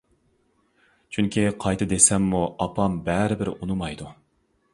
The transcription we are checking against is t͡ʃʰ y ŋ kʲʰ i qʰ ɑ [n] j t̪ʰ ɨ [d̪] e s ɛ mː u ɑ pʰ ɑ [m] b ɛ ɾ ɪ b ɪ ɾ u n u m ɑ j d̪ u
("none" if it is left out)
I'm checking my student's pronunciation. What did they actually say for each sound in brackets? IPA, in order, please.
none, d̪, m

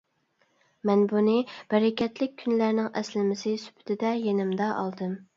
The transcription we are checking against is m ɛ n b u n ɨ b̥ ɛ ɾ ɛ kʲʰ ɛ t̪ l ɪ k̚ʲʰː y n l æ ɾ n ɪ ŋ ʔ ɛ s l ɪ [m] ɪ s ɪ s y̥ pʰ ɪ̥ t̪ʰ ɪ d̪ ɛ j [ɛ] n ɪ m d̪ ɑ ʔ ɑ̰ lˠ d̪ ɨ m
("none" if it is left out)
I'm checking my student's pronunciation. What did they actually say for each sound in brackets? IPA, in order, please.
m, e

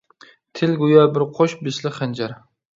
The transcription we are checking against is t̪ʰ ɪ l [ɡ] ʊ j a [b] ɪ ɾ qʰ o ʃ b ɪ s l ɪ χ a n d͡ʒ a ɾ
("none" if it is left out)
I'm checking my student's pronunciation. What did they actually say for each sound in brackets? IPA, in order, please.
ɡ, b

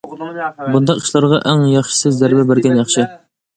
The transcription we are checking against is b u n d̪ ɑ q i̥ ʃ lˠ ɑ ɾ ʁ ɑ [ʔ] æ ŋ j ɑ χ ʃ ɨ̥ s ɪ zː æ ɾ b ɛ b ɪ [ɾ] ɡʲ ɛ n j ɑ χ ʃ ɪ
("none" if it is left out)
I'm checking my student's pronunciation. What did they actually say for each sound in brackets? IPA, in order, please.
ʔ, ɾ

